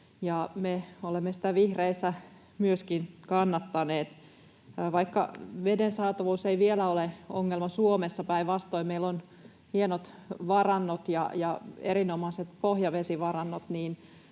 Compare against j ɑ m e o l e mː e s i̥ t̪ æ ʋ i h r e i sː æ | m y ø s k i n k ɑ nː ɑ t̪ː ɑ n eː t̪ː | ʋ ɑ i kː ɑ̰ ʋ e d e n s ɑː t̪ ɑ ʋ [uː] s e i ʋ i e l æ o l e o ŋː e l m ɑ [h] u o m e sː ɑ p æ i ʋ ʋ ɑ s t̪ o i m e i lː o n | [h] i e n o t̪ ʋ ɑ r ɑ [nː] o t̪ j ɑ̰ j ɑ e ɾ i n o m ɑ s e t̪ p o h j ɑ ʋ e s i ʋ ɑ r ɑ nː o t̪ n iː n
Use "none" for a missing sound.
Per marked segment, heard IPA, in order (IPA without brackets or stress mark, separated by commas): uː, s, h, nː